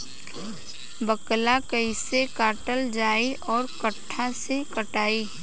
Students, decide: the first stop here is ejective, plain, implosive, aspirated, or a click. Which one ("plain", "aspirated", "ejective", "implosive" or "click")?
plain